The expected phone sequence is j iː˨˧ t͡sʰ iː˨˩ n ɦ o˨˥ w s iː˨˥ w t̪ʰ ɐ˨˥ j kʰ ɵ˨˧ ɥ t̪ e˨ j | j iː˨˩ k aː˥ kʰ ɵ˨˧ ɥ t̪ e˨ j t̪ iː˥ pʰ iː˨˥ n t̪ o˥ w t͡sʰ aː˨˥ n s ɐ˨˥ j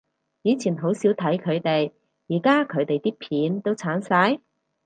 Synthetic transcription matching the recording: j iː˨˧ t͡sʰ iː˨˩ n ɦ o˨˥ w s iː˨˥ w t̪ʰ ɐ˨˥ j kʰ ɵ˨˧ ɥ t̪ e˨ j | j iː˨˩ k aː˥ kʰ ɵ˨˧ ɥ t̪ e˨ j t̪ iː˥ pʰ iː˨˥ n t̪ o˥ w t͡sʰ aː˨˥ n s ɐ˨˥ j